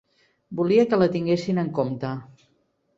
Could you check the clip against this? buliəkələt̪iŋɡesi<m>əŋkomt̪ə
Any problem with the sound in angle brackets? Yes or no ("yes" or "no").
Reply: yes